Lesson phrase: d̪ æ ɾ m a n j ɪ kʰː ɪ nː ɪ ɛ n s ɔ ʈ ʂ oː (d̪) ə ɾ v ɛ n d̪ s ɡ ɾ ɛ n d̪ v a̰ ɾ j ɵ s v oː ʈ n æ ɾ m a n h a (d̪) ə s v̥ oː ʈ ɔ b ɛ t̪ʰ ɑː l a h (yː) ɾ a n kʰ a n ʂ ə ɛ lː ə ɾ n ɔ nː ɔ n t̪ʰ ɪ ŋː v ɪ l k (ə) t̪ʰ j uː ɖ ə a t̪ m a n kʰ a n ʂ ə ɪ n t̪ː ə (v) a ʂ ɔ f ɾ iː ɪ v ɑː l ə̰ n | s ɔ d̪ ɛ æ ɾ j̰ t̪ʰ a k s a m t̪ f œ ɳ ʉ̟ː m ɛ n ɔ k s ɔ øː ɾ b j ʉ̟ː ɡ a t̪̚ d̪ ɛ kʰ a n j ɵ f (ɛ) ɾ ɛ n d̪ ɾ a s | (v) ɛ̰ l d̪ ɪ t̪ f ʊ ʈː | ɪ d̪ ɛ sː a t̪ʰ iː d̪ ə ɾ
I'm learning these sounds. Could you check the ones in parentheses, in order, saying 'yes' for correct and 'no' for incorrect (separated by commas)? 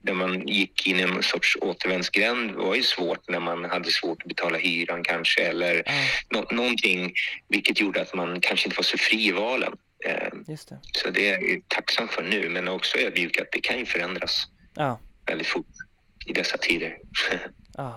no, no, yes, yes, yes, no, yes